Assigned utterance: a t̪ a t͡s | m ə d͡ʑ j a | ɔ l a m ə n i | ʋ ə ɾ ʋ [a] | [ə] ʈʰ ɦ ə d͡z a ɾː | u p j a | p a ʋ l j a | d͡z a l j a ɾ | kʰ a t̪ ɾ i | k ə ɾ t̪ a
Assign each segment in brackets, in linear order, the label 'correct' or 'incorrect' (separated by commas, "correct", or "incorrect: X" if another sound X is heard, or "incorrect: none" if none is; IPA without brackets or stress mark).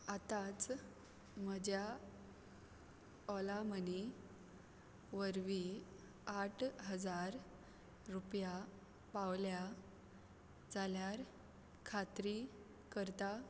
incorrect: i, incorrect: a